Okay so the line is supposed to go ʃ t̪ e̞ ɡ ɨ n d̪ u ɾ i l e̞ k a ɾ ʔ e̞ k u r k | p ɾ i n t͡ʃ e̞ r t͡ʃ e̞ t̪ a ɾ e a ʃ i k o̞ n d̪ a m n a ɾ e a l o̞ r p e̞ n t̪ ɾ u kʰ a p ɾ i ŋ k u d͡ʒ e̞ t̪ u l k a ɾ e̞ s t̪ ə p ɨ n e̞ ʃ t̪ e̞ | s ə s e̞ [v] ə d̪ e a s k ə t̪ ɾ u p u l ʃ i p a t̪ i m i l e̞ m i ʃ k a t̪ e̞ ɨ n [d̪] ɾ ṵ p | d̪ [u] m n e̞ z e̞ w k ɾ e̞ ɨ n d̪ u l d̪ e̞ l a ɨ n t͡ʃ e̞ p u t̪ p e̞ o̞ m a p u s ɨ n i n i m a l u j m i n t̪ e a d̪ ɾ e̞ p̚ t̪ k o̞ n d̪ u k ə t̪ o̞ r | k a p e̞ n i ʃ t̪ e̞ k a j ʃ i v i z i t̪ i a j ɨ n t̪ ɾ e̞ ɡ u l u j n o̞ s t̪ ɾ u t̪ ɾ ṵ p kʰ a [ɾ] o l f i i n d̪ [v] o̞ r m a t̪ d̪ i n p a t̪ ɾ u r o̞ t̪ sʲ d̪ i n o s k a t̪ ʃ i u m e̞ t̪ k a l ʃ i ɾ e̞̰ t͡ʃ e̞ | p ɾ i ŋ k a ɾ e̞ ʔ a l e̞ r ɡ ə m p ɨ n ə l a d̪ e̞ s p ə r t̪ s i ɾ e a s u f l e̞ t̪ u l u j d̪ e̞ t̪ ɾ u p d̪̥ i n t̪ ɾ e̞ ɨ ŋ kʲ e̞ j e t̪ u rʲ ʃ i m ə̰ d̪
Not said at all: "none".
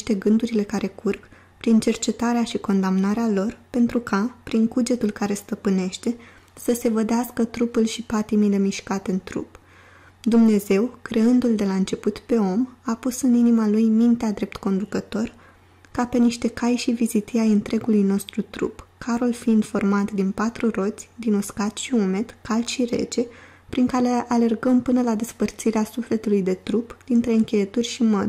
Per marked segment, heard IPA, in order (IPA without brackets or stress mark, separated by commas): v, t̪, u, ɾ, f